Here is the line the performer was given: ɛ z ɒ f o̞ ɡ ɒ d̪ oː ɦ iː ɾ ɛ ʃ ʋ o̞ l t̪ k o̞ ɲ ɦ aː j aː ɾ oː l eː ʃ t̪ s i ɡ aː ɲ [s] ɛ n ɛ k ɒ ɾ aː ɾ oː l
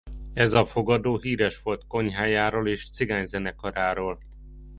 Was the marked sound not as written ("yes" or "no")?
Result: yes